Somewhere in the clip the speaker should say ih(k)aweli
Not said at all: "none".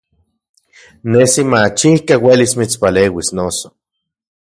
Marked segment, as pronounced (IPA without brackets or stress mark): k